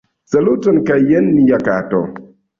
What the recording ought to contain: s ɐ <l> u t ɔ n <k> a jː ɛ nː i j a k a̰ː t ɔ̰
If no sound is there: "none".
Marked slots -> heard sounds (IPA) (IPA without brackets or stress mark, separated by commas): l, k